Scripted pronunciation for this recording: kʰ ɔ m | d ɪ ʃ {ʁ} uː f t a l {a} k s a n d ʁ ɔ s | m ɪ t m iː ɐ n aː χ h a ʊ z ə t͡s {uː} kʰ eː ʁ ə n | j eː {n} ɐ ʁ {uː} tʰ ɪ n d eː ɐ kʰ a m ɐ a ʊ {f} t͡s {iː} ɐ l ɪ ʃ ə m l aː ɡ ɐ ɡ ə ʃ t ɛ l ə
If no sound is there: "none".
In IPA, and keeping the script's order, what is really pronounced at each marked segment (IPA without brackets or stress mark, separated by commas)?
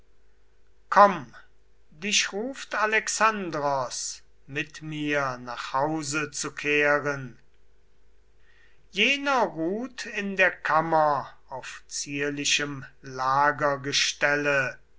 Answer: ʁ, ɛ, u, n, uː, f, iː